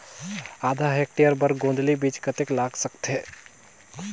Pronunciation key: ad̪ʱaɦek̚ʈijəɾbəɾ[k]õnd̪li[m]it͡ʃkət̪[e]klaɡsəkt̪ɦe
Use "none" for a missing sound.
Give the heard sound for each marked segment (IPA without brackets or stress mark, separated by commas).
ɡ, b, e